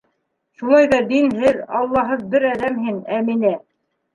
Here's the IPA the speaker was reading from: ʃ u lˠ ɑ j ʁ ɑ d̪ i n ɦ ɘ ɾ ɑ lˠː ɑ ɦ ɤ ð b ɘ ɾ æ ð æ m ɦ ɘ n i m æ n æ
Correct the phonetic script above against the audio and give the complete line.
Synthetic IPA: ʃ u lˠ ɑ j ð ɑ d̪ i n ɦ ɘ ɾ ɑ lˠː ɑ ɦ ɤ ð b ɘ ɾ æ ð æ m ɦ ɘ n æ m i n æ